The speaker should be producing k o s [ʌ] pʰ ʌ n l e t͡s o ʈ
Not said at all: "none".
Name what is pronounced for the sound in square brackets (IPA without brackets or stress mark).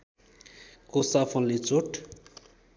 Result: a